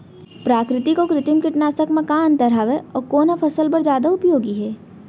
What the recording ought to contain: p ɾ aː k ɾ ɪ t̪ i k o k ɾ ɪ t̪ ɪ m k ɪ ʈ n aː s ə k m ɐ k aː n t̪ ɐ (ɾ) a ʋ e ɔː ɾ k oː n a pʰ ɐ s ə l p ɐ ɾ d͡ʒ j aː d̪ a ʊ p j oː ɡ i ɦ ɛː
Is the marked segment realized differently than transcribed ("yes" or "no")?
no